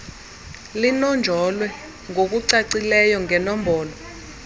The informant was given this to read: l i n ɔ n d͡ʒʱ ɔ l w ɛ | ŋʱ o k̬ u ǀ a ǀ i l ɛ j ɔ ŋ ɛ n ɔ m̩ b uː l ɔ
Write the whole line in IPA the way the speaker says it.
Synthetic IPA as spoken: l i n ɔ n d͡ʒʱ ɔ l w ɛ | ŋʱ o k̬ u ǀ a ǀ i l ɛ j ɔ ŋ ɛ n ɔ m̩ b ɔː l ɔ